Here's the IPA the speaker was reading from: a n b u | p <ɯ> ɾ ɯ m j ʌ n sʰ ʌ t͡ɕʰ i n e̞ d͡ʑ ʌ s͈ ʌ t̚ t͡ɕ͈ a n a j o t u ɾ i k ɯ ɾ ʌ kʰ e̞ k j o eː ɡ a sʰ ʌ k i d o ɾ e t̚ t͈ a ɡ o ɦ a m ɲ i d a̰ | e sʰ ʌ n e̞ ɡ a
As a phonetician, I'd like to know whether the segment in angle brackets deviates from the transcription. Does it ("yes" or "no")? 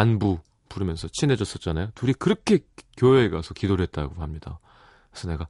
yes